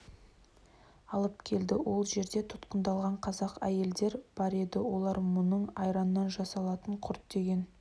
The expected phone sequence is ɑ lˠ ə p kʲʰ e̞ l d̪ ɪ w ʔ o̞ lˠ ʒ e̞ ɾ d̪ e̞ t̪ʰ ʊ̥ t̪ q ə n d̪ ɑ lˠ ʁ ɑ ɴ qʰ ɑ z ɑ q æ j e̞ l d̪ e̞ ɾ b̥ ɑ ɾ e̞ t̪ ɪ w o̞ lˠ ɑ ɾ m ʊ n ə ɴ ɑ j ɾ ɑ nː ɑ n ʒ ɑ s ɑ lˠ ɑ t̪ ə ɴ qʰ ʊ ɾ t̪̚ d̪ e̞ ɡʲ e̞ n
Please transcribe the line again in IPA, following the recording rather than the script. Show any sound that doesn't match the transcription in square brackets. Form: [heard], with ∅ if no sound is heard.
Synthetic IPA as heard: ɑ lˠ ə p kʲʰ e̞ l d̪ ɪ w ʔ o̞ lˠ ʒ e̞ ɾ d̪ e̞ t̪ʰ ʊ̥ t̪ q ə n d̪ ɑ lˠ ʁ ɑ ɴ qʰ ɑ z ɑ q æ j e̞ l d̪ e̞ ɾ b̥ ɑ ɾ e̞ [d̪] ɪ w o̞ lˠ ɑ ɾ m ʊ n ə ɴ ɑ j ɾ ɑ nː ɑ n ʒ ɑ s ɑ lˠ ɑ t̪ ə ɴ qʰ ʊ ɾ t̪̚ d̪ e̞ ɡʲ e̞ n